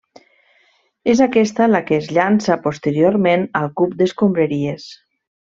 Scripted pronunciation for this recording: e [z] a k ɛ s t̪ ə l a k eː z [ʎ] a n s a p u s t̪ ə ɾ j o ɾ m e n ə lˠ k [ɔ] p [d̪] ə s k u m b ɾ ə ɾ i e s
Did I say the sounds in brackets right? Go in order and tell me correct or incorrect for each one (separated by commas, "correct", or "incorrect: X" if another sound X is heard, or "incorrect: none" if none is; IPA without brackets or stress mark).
correct, correct, incorrect: u, correct